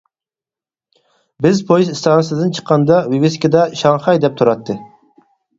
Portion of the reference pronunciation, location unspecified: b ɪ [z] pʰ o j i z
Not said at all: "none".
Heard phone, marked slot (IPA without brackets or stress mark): z